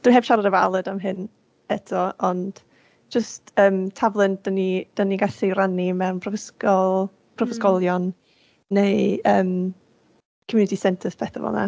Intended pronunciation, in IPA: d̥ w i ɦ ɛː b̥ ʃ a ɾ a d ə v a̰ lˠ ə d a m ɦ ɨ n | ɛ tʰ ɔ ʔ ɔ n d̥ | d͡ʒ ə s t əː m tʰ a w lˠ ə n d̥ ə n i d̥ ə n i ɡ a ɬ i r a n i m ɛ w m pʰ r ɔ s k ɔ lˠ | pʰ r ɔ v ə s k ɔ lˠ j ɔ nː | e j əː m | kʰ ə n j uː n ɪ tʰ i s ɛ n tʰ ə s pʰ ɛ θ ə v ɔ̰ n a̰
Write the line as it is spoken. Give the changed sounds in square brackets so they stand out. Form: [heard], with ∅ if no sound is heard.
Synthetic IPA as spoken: d̥ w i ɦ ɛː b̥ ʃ a ɾ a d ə v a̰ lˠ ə d a m ɦ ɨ n | ɛ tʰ ɔ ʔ ɔ n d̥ | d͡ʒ ə s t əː m tʰ a [v] lˠ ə n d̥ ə n i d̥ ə n i ɡ a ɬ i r a n i m ɛ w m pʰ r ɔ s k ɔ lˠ | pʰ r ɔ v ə s k ɔ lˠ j ɔ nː | e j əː m | kʰ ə [m] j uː n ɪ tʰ i s ɛ n tʰ ə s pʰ ɛ θ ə v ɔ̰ n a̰